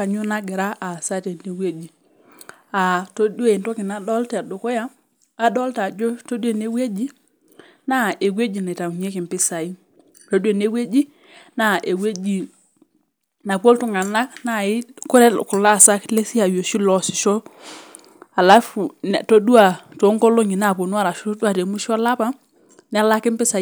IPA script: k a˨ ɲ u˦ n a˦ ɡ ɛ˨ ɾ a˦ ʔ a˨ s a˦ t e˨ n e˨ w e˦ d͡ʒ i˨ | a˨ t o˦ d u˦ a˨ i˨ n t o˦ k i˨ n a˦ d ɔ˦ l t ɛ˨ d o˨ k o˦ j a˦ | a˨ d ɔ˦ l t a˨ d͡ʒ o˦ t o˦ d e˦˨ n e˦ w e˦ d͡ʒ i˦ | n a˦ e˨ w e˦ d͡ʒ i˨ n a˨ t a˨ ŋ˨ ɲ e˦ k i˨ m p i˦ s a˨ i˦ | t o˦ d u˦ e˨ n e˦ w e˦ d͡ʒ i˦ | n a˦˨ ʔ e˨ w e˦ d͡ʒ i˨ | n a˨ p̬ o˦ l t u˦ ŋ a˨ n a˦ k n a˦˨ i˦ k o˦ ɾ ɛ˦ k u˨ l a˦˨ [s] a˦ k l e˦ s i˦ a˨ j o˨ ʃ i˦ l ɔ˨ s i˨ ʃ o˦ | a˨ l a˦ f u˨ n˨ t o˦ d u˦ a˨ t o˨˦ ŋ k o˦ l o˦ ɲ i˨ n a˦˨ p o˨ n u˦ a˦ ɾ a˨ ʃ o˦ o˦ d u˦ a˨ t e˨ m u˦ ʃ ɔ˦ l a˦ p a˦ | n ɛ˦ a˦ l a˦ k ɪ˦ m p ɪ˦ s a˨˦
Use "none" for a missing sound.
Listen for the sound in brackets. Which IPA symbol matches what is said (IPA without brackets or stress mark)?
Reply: s